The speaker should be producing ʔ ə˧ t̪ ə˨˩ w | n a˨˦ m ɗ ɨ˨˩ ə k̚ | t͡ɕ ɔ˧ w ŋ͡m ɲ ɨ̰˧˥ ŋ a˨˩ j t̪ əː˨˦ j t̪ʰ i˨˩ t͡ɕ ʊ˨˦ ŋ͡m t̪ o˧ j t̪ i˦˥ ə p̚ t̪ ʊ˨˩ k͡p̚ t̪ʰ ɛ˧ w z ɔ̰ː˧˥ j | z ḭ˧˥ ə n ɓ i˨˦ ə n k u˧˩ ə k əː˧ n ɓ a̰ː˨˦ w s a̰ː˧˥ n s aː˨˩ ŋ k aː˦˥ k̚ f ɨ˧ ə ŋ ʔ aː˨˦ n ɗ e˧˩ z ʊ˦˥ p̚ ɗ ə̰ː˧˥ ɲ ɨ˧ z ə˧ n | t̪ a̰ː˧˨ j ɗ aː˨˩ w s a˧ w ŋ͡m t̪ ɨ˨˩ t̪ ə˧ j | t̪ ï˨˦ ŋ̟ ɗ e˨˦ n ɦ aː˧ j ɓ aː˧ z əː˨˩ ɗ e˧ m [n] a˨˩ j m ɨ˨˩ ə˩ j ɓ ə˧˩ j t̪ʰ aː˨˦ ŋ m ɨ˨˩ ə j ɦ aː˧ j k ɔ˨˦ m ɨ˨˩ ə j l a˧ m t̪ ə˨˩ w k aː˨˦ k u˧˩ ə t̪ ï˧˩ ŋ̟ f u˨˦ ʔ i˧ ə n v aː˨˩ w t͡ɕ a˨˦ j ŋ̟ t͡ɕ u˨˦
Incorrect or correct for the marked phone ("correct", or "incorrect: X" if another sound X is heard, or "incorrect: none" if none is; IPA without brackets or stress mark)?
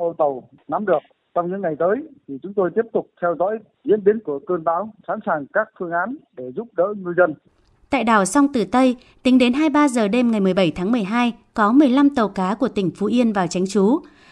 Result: incorrect: ŋ